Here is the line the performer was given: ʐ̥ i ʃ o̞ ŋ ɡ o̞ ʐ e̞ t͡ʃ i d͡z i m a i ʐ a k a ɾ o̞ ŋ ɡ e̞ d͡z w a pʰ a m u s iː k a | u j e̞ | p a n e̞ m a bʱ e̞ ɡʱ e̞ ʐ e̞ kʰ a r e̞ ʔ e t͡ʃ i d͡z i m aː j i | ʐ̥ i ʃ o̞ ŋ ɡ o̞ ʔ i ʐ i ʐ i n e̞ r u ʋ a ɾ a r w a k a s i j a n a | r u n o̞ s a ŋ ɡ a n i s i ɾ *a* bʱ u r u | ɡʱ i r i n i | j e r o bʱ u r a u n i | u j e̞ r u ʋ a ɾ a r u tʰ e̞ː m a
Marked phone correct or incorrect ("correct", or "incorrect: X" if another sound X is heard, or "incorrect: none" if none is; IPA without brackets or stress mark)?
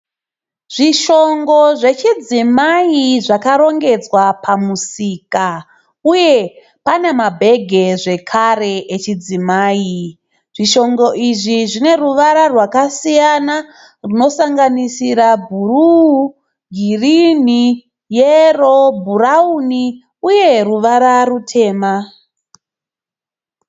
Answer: correct